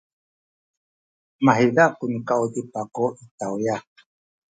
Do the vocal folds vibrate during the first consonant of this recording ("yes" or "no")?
yes